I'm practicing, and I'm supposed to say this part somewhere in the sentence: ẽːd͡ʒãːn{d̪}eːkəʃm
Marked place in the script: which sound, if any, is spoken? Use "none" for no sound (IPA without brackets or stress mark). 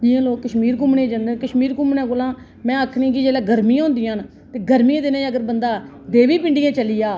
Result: d̪